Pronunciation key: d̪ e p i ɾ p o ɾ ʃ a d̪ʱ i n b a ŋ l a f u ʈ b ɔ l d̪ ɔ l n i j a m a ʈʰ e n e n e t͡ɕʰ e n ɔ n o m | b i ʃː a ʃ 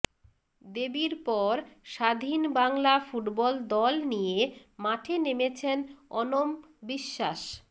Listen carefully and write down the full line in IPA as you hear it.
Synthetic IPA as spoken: d̪ e b i ɾ p ɔ ɾ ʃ a d̪ʱ i n b a ŋ l a f u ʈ b ɔ l d̪ ɔ l n i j e m a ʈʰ e n e m e t͡ɕʰ e n ɔ n o m | b i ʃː a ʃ